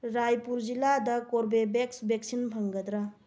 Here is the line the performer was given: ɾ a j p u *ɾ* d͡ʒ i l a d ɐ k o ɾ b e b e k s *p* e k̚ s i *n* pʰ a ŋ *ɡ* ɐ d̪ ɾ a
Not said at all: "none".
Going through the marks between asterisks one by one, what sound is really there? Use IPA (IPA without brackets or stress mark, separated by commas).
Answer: ɾ, b, n, ɡ